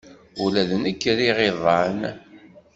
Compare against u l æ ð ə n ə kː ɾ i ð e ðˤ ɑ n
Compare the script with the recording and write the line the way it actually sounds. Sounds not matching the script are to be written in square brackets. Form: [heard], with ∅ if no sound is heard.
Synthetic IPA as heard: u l æ ð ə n ə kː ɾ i [ʁ] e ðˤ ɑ n

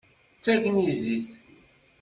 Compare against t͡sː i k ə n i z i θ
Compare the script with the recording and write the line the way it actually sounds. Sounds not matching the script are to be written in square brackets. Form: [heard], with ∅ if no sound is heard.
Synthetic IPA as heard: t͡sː [æ] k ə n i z i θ

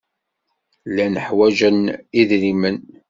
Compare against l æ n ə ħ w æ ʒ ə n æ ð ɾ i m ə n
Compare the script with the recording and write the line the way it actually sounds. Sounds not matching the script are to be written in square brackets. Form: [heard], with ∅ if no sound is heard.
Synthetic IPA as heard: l æ n ə ħ w æ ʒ ə n [i] ð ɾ i m ə n

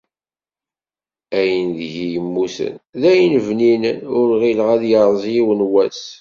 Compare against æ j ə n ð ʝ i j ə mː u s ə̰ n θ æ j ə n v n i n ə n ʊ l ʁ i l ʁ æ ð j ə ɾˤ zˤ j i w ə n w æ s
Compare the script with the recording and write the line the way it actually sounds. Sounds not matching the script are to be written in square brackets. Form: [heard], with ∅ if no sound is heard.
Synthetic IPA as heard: æ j ə n ð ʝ i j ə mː u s ə̰ n [ð] æ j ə n v n i n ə n ʊ [ɾ] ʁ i l ʁ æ ð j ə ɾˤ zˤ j i w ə n w æ s

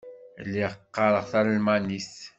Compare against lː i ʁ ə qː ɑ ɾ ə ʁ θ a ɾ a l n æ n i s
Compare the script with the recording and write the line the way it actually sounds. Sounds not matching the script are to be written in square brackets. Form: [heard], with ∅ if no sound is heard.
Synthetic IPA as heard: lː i ʁ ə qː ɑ ɾ ə ʁ θ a ɾ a l [m] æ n i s

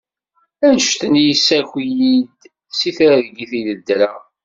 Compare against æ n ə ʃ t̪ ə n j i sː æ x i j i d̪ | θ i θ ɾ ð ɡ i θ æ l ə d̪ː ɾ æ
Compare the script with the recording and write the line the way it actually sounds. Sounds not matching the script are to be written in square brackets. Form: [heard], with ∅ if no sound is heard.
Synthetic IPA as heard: æ n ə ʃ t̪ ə n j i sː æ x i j i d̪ | [s] i θ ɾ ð ɡ i θ [i] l ə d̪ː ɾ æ

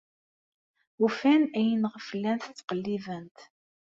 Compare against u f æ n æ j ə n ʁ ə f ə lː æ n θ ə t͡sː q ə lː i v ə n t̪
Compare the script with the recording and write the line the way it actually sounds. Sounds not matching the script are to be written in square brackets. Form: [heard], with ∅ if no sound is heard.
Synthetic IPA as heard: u f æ n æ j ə n ʁ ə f ə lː æ n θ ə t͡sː q ə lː i v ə n t̪

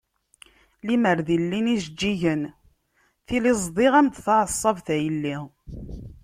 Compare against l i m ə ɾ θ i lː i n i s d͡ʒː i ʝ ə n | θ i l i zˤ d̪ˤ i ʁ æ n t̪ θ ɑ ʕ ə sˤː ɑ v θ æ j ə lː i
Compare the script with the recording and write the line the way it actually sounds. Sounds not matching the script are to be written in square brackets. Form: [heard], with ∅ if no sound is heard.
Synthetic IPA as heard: l i m ə ɾ [ð] i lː i n i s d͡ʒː i ʝ ə n | θ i l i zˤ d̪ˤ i ʁ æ [m] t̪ θ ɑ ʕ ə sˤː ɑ v θ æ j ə lː i

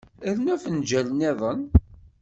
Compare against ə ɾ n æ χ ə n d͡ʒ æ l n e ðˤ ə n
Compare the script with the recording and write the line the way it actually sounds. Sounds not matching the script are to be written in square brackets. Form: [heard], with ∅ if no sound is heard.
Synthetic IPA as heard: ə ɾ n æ [f] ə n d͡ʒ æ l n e ðˤ ə n

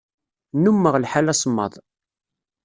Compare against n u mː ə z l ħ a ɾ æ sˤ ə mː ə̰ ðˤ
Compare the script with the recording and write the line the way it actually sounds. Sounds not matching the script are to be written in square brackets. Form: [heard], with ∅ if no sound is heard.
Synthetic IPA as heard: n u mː ə [ʁ] l ħ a [l] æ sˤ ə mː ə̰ ðˤ

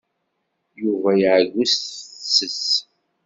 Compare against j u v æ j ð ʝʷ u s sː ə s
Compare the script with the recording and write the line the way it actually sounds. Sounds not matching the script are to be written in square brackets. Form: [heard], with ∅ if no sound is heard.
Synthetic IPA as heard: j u v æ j [ʕ] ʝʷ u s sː ə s

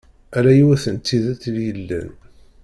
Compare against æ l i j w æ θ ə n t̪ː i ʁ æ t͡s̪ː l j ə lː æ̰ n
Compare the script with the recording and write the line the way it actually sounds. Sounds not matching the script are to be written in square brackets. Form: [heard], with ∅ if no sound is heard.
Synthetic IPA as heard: æ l [æ] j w æ θ ə n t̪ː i [ð] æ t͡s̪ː l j ə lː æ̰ n

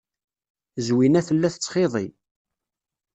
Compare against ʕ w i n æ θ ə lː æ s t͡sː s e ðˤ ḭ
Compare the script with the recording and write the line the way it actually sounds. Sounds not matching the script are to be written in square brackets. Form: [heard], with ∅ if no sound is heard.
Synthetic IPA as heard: [z] w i n æ θ ə lː æ [θ] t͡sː [χ] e ðˤ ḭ

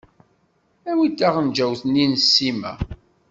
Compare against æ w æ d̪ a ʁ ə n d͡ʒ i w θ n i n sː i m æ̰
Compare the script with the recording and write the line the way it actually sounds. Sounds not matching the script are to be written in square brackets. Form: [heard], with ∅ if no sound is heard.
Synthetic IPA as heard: æ w [i] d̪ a ʁ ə n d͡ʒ [æ] w θ n i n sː i m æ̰

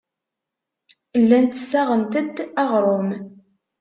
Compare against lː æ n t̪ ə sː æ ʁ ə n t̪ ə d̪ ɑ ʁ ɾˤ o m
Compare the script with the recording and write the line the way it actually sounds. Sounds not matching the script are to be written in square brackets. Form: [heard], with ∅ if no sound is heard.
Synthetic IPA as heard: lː æ n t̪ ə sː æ ʁ ə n t̪ ə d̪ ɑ ʁ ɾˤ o m

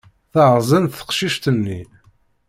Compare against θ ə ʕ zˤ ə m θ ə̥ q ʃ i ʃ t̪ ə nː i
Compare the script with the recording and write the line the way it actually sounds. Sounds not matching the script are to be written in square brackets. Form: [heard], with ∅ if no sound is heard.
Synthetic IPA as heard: θ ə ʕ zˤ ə [n] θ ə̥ q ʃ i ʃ t̪ ə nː i

